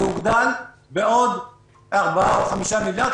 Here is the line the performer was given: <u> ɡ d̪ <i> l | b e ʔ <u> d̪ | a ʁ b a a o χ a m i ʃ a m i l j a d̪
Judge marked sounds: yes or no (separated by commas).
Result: yes, no, no